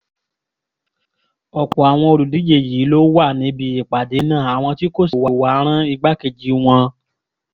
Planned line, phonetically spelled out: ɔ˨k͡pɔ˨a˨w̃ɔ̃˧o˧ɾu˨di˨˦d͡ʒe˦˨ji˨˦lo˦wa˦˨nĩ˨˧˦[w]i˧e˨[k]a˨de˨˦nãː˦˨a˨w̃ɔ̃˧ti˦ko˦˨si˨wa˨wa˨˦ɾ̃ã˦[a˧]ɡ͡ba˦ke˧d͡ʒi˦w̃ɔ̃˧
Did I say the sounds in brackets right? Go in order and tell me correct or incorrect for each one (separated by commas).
incorrect, incorrect, incorrect